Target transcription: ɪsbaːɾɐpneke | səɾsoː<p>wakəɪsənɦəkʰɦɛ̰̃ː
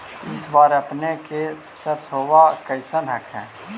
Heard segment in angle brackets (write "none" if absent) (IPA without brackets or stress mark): none